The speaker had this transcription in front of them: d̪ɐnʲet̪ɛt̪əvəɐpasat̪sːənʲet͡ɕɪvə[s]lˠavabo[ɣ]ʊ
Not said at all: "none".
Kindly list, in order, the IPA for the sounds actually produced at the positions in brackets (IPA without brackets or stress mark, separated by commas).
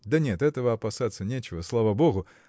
s, ɣ